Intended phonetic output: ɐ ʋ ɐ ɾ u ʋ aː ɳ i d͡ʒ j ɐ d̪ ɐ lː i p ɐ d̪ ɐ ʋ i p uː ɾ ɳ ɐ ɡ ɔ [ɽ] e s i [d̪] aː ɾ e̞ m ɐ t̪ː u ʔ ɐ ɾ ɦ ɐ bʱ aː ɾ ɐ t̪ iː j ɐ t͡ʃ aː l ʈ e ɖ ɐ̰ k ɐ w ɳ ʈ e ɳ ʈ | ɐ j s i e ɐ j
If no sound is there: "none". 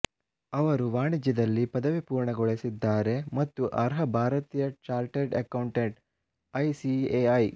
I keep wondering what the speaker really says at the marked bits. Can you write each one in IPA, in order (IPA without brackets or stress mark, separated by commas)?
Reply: ɭ, d̪ː